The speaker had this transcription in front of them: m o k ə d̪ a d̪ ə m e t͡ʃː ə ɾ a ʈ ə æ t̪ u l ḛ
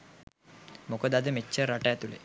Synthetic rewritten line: m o k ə d̪ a d̪ ə m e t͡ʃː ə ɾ a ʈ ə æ t̪ u l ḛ